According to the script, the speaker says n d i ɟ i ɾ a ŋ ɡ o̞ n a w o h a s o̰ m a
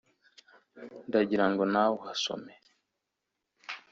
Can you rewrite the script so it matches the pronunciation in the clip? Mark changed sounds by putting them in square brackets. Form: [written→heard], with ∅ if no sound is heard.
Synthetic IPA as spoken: n d [i→a] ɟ i ɾ a ŋ ɡ o̞ n a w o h a s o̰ m [a→e]